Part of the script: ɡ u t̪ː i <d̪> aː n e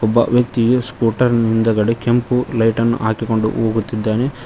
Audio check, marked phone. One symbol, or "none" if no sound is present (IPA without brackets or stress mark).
d̪ː